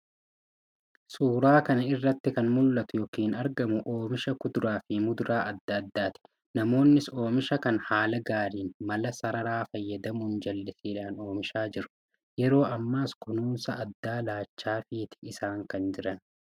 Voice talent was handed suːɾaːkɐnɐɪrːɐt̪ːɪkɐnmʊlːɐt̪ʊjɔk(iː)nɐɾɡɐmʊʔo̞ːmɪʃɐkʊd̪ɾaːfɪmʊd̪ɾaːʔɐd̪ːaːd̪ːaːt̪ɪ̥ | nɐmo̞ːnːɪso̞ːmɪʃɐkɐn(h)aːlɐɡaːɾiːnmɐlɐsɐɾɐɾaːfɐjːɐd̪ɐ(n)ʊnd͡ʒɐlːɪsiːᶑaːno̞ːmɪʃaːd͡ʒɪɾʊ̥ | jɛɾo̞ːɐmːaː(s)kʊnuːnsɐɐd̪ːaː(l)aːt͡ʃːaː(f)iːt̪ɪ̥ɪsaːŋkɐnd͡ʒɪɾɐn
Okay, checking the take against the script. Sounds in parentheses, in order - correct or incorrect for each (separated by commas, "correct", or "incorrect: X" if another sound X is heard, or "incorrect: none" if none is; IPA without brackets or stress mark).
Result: correct, correct, incorrect: m, correct, correct, correct